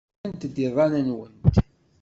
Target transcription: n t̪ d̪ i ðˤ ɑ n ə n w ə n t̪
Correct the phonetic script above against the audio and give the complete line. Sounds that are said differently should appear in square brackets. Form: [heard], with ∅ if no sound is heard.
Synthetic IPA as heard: n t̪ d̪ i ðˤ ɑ n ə n w ə n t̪